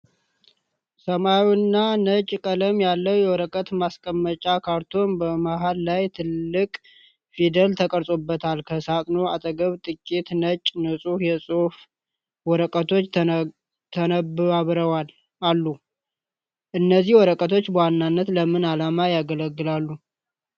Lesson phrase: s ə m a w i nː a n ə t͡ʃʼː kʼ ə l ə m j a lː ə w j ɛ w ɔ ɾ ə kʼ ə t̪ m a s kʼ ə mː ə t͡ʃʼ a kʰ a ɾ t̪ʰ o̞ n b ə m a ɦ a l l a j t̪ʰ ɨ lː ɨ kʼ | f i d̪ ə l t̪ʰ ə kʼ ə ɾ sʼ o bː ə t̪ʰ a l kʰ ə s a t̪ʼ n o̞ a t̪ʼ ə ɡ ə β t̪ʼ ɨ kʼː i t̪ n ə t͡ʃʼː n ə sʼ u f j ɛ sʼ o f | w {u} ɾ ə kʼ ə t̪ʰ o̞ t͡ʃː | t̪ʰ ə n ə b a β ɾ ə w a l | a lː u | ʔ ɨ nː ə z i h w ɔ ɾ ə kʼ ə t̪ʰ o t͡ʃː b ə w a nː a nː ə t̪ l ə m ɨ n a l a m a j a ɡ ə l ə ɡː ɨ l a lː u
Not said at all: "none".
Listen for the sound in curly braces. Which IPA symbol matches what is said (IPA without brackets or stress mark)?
ɔ